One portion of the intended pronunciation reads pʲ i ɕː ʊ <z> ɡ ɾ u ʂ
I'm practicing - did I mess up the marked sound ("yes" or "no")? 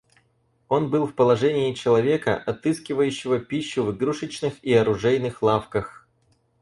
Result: yes